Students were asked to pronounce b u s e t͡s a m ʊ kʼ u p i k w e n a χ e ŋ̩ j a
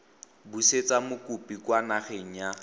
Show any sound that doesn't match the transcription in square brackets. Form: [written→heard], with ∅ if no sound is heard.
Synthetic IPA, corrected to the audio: b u s e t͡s a m ʊ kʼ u p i k w [e→a] n a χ e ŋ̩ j a